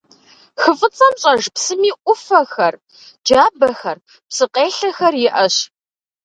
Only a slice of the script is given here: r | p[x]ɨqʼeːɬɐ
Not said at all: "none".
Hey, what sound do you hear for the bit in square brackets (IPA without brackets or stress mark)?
s